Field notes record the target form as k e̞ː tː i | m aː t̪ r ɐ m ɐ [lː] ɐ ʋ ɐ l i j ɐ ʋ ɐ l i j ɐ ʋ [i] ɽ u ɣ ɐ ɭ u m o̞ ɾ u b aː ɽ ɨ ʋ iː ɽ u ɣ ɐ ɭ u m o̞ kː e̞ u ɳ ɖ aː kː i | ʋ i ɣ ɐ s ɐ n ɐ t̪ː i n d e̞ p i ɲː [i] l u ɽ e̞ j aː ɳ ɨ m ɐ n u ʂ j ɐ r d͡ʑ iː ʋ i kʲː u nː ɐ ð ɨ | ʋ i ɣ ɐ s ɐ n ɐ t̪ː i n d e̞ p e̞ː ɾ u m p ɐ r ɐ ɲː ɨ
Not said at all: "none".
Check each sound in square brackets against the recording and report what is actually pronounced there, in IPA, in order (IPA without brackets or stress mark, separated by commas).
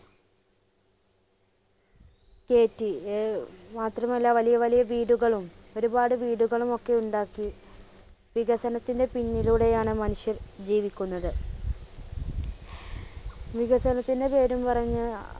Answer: lː, iː, i